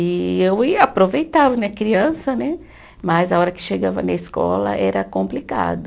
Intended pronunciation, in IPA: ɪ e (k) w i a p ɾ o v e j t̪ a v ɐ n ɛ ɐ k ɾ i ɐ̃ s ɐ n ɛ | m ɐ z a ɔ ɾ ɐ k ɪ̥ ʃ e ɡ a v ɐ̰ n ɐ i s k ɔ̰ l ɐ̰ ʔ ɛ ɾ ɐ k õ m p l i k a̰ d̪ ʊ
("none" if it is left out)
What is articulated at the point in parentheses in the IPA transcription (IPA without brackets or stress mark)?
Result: none